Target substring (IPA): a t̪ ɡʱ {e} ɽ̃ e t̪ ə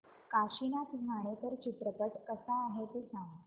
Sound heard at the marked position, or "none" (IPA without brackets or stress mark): a